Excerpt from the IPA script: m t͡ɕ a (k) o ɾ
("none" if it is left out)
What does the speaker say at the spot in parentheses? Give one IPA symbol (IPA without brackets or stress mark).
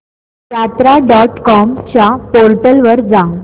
p